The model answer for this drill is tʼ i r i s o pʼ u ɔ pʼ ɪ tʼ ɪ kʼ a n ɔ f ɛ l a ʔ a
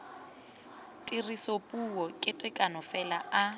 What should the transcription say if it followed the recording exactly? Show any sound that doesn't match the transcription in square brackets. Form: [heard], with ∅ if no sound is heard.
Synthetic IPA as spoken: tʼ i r i s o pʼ u ɔ [kʼ] ɪ tʼ ɪ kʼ a n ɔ f ɛ l a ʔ a